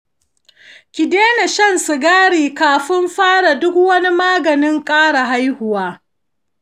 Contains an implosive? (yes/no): no